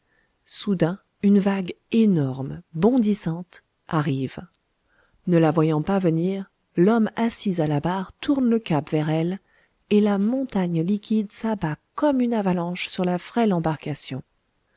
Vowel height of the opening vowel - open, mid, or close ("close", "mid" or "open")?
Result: close